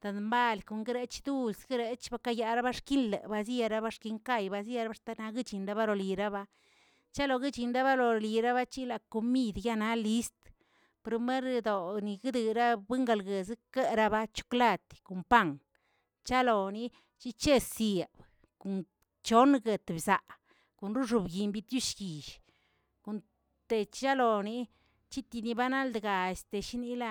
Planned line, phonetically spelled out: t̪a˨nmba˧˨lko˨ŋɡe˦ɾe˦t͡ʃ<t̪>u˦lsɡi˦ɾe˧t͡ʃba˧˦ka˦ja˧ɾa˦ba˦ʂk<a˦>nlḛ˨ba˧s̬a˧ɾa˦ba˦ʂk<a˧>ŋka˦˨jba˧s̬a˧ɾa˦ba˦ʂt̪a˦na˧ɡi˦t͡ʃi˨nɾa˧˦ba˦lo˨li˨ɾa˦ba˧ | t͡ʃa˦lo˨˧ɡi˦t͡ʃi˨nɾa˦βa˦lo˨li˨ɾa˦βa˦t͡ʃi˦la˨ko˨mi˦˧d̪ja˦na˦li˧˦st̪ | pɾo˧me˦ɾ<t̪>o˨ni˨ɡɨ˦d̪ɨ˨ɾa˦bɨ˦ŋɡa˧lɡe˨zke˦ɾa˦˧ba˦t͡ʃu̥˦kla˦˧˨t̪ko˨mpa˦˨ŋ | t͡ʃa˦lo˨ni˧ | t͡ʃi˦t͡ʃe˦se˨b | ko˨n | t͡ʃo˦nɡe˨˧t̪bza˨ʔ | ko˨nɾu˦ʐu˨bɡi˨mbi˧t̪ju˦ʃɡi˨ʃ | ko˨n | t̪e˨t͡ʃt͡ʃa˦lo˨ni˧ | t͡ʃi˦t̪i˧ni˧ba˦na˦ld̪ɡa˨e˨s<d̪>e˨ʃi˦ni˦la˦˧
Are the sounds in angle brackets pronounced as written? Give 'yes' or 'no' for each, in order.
no, no, no, no, no

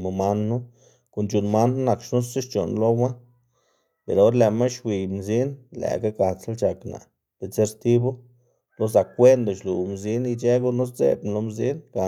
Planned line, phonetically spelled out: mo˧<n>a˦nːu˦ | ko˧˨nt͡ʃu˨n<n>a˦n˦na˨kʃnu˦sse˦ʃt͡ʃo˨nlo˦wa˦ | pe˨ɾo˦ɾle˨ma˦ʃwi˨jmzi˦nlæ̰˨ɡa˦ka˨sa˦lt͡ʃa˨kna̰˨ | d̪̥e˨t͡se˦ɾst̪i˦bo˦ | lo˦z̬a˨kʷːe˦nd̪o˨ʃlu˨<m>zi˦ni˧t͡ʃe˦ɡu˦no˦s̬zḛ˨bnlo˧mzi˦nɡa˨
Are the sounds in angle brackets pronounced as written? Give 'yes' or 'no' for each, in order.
no, no, yes

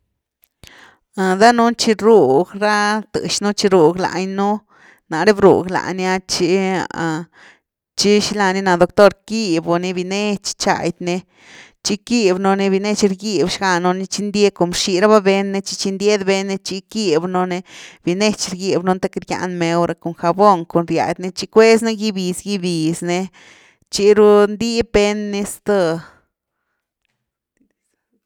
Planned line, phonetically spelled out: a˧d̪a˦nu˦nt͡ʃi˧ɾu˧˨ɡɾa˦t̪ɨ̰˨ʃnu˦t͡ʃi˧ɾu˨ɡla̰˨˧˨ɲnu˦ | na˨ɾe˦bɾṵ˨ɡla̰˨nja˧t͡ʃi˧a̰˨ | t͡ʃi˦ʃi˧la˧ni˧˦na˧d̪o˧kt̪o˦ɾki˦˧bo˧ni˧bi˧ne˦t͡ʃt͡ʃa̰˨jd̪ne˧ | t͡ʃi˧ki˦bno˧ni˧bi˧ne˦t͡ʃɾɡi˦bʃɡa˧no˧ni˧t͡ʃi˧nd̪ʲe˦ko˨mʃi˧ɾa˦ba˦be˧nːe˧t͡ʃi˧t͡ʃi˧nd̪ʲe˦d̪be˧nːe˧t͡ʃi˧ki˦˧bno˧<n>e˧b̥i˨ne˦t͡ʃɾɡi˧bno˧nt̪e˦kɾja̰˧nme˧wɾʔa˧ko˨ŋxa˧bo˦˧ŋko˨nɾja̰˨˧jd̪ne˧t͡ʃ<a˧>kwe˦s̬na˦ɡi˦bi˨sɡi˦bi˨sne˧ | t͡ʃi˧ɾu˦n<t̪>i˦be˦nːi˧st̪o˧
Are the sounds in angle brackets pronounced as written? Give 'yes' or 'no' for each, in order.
yes, no, no

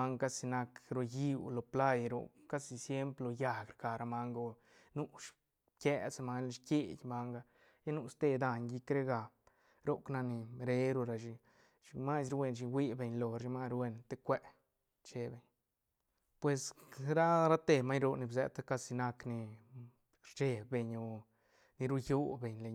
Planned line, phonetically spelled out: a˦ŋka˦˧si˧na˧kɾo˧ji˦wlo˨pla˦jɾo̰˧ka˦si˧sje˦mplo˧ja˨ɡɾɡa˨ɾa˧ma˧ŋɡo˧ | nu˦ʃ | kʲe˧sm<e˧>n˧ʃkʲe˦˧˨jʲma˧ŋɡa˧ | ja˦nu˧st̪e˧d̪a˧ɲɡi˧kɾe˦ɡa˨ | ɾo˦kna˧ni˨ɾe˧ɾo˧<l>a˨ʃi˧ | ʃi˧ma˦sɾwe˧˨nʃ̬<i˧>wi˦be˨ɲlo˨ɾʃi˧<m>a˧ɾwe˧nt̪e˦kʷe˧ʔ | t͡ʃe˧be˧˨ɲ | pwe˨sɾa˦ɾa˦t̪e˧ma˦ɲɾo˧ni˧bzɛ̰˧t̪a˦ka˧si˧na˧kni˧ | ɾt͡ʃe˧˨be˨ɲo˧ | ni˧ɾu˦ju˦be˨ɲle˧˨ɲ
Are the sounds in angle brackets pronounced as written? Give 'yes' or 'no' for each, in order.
no, no, yes, yes

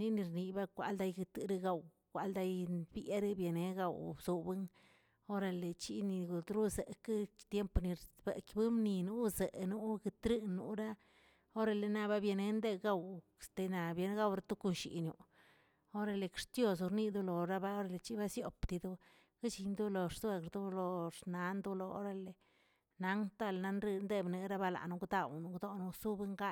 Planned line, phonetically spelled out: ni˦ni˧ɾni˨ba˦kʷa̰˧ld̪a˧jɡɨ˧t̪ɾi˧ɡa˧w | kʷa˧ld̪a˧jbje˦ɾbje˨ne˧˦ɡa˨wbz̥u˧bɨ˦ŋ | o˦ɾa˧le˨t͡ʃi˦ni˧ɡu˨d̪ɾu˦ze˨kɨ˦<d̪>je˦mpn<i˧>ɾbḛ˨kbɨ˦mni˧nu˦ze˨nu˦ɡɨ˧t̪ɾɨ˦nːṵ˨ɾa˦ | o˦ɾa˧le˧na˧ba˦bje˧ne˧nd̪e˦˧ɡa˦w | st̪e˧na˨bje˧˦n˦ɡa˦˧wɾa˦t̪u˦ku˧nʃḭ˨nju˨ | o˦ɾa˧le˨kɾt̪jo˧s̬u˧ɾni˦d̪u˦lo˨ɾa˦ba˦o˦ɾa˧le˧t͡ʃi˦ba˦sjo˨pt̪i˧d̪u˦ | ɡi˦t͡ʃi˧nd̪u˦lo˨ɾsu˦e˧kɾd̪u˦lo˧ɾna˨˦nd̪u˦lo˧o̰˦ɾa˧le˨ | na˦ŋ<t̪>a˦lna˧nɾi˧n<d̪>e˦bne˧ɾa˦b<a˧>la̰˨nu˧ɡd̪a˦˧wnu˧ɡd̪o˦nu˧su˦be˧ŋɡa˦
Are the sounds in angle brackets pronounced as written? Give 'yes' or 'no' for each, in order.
no, yes, yes, yes, yes

